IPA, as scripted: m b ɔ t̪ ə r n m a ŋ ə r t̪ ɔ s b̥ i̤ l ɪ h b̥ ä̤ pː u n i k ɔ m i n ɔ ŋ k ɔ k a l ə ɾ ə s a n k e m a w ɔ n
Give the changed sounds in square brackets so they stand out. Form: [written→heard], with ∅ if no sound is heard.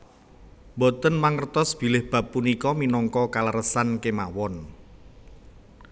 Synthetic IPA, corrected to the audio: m b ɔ t̪ ə [r→∅] n m a ŋ ə r t̪ ɔ s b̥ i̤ l ɪ h b̥ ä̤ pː u n i k ɔ m i n ɔ ŋ k ɔ k a l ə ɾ ə s a n k e m a w ɔ n